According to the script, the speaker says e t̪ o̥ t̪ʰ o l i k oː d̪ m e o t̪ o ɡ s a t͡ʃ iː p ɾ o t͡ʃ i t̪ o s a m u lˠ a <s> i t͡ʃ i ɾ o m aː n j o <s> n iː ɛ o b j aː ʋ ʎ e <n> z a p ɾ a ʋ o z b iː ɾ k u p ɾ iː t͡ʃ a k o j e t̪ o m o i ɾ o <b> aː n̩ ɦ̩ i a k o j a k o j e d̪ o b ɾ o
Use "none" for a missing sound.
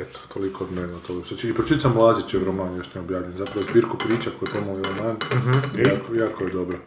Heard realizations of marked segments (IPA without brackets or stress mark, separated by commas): z, ʃ, n, m